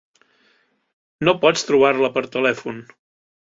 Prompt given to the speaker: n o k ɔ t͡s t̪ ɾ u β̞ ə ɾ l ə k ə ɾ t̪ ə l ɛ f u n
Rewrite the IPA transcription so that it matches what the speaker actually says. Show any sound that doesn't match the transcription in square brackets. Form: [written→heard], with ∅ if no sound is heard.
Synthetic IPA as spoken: n o [k→p] ɔ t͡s t̪ ɾ u β̞ [ə→a] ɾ l ə [k→p] ə ɾ t̪ ə l ɛ f u n